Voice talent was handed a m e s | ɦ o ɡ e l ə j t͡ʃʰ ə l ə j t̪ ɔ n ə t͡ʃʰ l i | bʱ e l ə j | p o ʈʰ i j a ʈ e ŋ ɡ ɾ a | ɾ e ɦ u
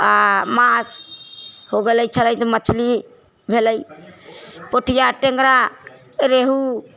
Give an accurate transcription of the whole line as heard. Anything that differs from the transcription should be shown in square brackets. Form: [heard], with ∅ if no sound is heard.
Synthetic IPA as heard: a m [a] s | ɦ o ɡ e l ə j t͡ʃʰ ə l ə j t̪ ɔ [m] ə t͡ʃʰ l i | bʱ e l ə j | p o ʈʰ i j a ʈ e ŋ ɡ ɾ a | ɾ e ɦ u

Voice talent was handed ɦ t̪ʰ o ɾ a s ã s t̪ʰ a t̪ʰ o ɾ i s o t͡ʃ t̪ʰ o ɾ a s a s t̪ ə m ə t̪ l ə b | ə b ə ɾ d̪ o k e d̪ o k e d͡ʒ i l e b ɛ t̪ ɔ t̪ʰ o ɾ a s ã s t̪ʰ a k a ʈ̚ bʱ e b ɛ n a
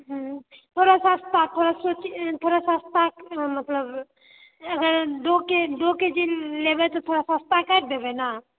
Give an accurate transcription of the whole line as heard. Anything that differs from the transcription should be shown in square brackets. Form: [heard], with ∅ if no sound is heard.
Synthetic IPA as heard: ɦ t̪ʰ o ɾ a s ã s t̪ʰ a t̪ʰ o ɾ [a] s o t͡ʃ t̪ʰ o ɾ a s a s t̪ [a] m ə t̪ l ə b | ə [ɡ] ə ɾ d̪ o k e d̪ o k e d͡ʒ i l e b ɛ t̪ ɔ t̪ʰ o ɾ a s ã s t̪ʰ a k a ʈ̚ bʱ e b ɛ n a

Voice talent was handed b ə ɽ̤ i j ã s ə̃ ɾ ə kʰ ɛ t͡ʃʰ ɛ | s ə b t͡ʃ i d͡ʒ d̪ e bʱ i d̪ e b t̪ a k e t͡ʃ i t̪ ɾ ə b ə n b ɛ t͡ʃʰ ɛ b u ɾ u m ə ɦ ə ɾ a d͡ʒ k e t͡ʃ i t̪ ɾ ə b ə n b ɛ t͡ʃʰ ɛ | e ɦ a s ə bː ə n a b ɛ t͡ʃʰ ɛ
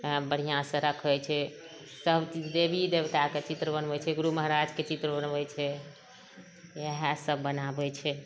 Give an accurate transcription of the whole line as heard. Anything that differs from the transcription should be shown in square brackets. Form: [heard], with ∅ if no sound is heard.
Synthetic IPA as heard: b ə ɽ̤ i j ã s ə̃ ɾ ə kʰ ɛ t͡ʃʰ ɛ | s ə b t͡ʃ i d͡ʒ d̪ e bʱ i d̪ e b t̪ a k e t͡ʃ i t̪ ɾ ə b ə n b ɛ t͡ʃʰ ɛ [ɡ] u ɾ u m ə ɦ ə ɾ a d͡ʒ k e t͡ʃ i t̪ ɾ ə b ə n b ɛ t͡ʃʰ ɛ | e ɦ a s ə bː ə n a b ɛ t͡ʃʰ ɛ

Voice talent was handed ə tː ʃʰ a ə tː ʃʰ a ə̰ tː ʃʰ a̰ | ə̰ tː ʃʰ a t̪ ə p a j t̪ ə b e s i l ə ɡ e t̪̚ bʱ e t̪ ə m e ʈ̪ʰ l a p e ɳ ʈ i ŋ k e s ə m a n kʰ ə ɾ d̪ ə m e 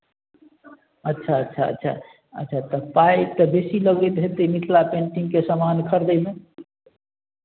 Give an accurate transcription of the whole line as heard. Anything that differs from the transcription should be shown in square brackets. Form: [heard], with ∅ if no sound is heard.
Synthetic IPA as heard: ə tː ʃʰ a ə tː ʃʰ a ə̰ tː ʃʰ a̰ | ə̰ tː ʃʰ a t̪ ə p a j t̪ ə b e s i l ə ɡ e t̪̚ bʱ e t̪ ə m [i] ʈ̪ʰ l a p e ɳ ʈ i ŋ k e s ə m a n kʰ ə ɾ d̪ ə m e

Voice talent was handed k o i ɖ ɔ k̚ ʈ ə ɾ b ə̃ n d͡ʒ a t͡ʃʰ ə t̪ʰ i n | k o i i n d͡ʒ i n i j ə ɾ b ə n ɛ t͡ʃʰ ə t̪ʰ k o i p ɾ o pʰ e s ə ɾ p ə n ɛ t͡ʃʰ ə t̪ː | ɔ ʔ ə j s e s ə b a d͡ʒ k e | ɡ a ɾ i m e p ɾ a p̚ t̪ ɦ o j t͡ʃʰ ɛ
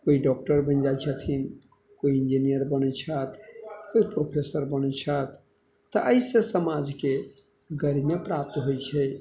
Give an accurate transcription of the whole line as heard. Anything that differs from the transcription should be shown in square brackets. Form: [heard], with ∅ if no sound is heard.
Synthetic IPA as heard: k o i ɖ ɔ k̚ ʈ ə ɾ b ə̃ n d͡ʒ a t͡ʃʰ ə t̪ʰ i n | k o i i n d͡ʒ i n i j ə ɾ b ə n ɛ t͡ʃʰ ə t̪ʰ k o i p ɾ o pʰ e s ə ɾ [b] ə n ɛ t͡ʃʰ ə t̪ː | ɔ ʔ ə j s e s ə [m] a d͡ʒ k e | ɡ [ə] ɾ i m e p ɾ a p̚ t̪ ɦ o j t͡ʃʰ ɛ

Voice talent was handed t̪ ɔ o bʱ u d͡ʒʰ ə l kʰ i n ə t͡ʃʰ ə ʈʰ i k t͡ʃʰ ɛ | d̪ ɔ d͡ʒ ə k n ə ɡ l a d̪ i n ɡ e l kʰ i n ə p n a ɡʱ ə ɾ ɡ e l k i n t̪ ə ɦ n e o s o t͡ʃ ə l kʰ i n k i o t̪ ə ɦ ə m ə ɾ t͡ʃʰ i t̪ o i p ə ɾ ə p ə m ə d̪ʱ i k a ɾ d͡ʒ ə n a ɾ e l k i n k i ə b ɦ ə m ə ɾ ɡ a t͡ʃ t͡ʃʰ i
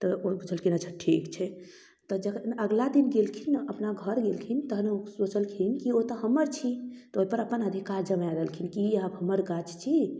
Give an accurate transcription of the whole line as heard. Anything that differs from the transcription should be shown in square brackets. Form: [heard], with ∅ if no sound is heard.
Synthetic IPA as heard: t̪ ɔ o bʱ u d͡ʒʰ ə l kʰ i n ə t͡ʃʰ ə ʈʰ i k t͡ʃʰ ɛ | [t̪] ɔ d͡ʒ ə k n ə ɡ l a d̪ i n ɡ e l kʰ i n ə p n a ɡʱ ə ɾ ɡ e l [kʰ] i n t̪ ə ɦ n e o s o t͡ʃ ə l kʰ i n k i o t̪ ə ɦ ə m ə ɾ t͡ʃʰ i t̪ o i p ə ɾ ə p ə [n] ə d̪ʱ i k a ɾ d͡ʒ ə [m] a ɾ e l [kʰ] i n k i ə b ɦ ə m ə ɾ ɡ a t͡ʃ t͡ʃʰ i

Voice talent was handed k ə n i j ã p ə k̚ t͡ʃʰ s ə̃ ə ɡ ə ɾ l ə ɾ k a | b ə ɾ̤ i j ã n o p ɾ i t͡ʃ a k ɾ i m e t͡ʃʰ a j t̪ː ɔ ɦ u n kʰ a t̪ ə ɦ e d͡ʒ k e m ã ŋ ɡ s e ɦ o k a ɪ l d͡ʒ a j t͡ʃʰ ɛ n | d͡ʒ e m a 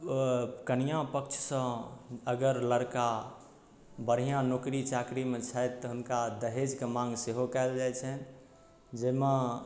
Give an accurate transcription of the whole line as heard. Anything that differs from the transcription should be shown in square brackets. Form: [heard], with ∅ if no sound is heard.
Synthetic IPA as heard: k ə n i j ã p ə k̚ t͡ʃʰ s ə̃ ə ɡ ə ɾ l ə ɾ k a | b ə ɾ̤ i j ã n o [k] ɾ i t͡ʃ a k ɾ i m e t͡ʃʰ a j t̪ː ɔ ɦ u n [k] a [d̪] ə ɦ e d͡ʒ k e m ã ŋ ɡ s e ɦ o k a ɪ l d͡ʒ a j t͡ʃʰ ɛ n | d͡ʒ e m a

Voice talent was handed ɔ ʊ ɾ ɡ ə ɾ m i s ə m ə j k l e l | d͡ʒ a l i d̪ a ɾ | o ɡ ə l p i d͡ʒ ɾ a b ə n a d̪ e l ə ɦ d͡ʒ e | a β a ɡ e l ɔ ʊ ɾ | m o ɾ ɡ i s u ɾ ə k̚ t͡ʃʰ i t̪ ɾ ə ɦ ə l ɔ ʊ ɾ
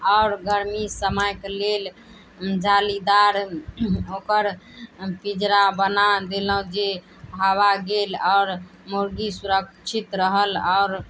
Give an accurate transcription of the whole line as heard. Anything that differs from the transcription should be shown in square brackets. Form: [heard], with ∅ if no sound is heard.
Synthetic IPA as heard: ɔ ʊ ɾ ɡ ə ɾ m i s ə m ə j k l e l | d͡ʒ a l i d̪ a ɾ | o [k] ə [ɾ] p i d͡ʒ ɾ a b ə n a d̪ e l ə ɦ d͡ʒ e | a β a ɡ e l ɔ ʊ ɾ | m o ɾ ɡ i s u ɾ ə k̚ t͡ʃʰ i t̪ ɾ ə ɦ ə l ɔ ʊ ɾ

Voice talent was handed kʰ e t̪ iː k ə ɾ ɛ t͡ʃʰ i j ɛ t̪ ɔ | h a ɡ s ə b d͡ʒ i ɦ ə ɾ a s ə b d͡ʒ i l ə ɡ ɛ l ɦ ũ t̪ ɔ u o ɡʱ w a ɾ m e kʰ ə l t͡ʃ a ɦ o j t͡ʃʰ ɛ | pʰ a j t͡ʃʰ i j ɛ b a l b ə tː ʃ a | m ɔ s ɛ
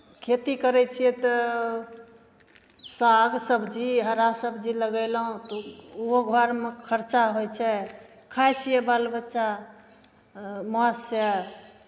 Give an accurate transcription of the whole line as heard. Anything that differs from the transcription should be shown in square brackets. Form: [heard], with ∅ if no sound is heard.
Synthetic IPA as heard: kʰ e t̪ [i] k ə ɾ ɛ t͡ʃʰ i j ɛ t̪ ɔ | [s] a ɡ s ə b d͡ʒ i ɦ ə ɾ a s ə b d͡ʒ i l ə ɡ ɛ l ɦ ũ t̪ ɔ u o ɡʱ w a ɾ m e kʰ ə [ɾ] t͡ʃ a ɦ o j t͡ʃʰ ɛ | [kʰ] a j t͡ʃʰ i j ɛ b a l b ə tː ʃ a | m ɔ s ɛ

